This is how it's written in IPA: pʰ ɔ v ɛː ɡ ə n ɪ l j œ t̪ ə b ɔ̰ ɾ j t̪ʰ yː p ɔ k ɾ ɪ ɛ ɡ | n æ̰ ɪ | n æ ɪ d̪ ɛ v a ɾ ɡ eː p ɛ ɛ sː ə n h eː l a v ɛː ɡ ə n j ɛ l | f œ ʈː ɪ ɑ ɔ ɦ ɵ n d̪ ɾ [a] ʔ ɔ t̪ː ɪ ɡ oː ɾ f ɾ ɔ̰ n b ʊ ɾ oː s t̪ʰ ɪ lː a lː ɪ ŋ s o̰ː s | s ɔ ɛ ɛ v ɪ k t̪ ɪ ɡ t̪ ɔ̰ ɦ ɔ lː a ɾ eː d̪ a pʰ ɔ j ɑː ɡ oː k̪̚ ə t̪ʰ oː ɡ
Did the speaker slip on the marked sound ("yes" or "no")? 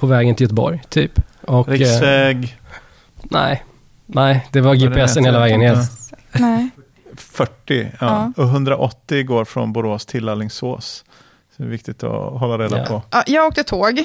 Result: no